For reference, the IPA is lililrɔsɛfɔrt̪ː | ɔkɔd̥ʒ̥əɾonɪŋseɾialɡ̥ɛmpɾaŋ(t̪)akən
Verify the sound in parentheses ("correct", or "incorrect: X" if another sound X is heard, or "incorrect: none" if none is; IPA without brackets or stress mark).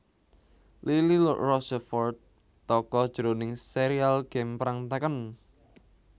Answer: correct